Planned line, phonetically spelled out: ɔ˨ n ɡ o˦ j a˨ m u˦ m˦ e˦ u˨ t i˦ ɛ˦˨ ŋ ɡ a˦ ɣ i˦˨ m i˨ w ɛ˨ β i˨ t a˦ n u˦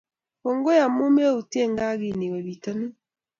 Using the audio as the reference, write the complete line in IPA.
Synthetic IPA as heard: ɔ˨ ŋ ɡ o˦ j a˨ m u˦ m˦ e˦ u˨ t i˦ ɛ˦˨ ŋ ɡ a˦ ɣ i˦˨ n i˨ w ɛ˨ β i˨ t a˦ n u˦